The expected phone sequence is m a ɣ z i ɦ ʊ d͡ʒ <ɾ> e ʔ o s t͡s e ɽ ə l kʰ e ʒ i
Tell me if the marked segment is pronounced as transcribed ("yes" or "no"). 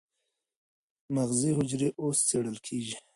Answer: yes